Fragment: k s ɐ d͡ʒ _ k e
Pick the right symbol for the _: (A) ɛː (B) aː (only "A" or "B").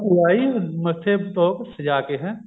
B